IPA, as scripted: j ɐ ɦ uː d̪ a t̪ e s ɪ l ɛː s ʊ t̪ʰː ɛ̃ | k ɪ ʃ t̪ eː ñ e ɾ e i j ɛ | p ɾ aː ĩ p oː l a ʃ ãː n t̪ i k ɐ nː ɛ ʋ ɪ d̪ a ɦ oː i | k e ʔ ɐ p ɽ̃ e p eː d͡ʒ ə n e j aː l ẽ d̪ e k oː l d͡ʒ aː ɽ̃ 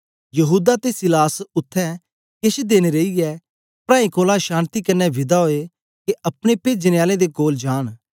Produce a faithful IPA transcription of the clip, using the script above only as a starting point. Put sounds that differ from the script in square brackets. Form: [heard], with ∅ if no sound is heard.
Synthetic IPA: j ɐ ɦ uː d̪ a t̪ e s ɪ l [aː] s ʊ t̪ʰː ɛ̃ | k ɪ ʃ [d̪] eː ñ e ɾ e i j ɛ | p ɾ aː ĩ [k] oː l a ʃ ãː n t̪ i k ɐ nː ɛ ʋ ɪ d̪ a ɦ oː [e] | k e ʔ ɐ p ɽ̃ e p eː d͡ʒ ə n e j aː l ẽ d̪ e k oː l d͡ʒ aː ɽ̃